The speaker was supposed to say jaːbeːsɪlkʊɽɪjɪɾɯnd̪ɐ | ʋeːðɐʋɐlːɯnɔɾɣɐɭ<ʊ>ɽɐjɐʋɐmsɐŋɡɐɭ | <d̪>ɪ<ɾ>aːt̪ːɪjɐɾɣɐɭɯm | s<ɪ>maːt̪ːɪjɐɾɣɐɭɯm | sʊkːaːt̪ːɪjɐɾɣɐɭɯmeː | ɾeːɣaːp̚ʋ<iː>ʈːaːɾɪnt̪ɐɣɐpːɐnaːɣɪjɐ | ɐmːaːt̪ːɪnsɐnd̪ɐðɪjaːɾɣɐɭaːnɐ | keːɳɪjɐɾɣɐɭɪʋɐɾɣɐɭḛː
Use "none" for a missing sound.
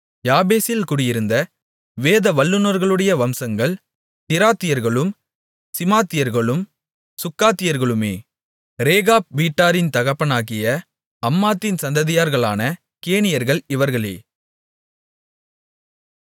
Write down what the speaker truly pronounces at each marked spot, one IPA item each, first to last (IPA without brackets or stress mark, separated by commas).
ɯ, t̪, ɾ, ɪ, iː